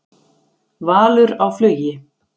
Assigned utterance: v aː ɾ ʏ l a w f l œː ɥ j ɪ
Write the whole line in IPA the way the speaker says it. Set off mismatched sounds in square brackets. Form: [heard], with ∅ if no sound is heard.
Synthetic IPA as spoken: v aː [l] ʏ [ɾ] a w f l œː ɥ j ɪ